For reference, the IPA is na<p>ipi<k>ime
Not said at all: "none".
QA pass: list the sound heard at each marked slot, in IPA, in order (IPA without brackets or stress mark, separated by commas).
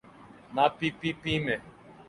p, p